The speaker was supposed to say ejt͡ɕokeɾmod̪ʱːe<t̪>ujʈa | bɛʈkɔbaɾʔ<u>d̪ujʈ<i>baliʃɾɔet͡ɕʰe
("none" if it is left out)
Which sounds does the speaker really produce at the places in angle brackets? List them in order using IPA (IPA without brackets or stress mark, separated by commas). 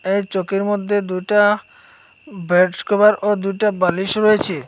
d̪, o, a